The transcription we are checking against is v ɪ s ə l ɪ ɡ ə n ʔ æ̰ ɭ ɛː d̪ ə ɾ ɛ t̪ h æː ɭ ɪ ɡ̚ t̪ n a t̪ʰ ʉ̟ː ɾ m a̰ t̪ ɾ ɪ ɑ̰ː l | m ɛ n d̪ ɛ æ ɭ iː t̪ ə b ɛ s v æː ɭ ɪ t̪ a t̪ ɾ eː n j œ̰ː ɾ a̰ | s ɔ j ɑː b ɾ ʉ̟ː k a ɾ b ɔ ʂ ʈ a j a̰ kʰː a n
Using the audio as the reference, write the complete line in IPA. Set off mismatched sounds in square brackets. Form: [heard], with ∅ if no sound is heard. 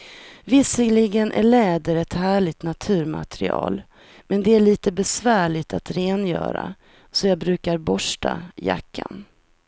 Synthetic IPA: v ɪ s ə l ɪ ɡ ə n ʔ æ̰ ɭ ɛː d̪ ə ɾ ɛ t̪ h æː ɭ ɪ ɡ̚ t̪ n a t̪ʰ ʉ̟ː ɾ m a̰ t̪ ɾ ɪ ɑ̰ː l | m ɛ n d̪ ɛ æ ɭ iː t̪ ə b ɛ s v æː ɭ ɪ t̪ a t̪ ɾ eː n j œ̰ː ɾ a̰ | s ɔ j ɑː b ɾ ʉ̟ː k a ɾ b ɔ ʂ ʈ a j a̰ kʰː a n